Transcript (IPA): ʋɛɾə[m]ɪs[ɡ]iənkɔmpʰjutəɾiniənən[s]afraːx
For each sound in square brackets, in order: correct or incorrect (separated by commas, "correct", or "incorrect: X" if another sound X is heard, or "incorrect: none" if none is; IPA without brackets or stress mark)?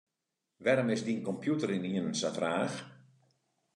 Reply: correct, incorrect: d, correct